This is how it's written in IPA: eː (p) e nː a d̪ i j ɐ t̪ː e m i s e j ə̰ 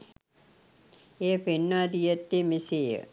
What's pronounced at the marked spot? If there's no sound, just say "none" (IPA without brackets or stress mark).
p